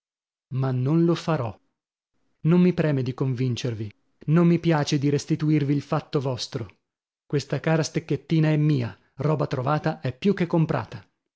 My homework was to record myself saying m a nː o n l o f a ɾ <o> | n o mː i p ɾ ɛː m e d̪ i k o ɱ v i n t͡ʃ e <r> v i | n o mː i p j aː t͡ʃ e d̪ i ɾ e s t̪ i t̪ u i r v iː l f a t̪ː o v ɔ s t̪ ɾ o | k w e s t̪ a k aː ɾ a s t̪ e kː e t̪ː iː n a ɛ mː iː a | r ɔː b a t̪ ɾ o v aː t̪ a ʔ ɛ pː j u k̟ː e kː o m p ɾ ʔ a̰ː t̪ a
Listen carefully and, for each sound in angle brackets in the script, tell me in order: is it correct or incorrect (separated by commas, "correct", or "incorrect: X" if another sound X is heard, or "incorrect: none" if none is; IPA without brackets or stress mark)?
incorrect: ɔ, correct